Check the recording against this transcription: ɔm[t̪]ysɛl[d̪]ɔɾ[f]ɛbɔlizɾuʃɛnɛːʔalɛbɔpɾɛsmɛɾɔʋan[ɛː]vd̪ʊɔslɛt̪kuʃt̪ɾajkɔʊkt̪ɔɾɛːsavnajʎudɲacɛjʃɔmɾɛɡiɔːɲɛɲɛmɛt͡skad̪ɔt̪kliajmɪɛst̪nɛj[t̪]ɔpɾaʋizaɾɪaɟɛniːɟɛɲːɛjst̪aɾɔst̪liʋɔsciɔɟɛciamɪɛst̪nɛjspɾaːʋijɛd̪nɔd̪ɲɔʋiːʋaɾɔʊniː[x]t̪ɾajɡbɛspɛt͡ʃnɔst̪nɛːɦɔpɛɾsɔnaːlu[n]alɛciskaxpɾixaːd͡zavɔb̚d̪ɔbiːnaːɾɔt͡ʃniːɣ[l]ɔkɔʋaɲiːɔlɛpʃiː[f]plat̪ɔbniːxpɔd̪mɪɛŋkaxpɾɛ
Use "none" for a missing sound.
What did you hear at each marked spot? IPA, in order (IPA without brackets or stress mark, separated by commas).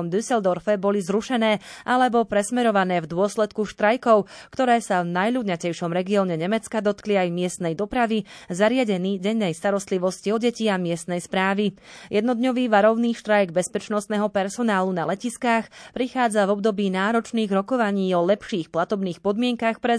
d̪, d̪, f, ɛː, d̪, ʃ, n, ɾ, x